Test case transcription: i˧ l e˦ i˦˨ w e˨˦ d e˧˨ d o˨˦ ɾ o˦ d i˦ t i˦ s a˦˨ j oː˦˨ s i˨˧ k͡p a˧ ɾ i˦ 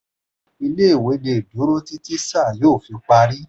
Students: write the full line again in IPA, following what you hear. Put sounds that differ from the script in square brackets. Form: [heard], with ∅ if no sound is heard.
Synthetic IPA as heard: i˧ l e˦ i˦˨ w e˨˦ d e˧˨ d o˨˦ ɾ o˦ [t] i˦ t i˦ s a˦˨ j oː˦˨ [f] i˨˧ k͡p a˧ ɾ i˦